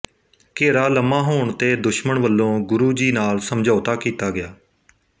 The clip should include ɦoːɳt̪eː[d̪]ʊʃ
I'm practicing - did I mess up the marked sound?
no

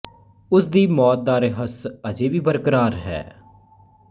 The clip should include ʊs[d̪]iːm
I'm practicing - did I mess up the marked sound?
no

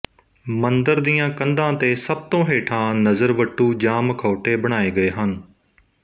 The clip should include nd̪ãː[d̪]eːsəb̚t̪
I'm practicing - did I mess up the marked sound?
yes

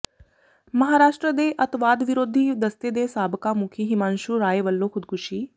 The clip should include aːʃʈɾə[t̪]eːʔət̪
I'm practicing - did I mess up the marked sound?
yes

